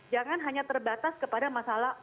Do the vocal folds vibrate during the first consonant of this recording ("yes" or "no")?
yes